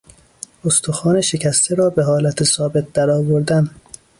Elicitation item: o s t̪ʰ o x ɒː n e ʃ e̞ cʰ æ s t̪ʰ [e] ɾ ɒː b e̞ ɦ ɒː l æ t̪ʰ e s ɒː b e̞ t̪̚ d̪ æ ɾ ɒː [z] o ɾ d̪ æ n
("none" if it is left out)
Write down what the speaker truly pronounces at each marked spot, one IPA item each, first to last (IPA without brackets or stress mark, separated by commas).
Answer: e, v